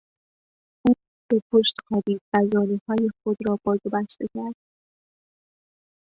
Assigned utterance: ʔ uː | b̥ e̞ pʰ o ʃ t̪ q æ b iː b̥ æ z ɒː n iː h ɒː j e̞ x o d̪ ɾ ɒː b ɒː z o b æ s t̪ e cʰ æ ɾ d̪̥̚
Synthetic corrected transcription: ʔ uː | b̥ e̞ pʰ o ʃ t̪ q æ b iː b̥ æ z ɒː n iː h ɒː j e̞ x o d̪ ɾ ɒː b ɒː z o b æ s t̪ e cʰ æ ɾ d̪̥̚